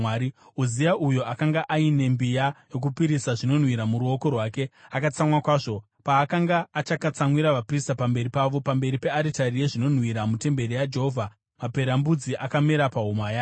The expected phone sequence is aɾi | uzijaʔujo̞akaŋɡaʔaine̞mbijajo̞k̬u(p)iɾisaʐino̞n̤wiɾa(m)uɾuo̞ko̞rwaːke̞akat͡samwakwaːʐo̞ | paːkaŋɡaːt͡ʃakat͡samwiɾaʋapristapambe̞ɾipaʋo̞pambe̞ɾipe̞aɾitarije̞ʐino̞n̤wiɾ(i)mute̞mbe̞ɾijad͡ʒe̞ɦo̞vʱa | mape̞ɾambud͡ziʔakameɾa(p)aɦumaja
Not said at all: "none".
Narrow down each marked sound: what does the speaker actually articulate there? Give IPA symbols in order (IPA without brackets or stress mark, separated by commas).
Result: p, m, a, p